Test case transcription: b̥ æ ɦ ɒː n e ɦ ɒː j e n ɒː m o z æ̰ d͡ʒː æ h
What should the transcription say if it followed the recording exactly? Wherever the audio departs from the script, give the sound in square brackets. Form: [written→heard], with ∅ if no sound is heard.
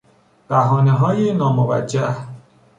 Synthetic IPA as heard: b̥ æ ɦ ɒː n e ɦ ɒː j e n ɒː m o [z→v] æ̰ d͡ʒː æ h